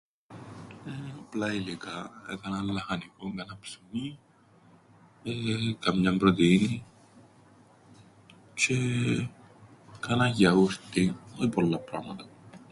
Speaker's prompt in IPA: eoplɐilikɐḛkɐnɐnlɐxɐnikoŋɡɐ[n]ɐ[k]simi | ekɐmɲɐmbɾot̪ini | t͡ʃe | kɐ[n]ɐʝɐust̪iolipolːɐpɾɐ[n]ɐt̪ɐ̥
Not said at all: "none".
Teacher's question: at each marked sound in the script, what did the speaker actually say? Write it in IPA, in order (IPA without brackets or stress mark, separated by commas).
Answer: n, p, n, m